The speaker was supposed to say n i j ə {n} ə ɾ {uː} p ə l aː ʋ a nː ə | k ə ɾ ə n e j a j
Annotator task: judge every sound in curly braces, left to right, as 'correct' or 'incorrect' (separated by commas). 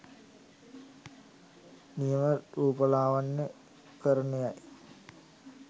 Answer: incorrect, correct